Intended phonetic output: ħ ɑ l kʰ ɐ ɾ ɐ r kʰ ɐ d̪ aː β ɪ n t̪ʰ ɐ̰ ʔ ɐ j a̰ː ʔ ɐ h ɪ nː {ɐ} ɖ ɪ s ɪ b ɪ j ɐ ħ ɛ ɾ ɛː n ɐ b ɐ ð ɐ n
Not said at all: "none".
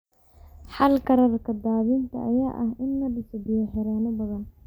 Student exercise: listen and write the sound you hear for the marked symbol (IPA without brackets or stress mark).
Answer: ɐ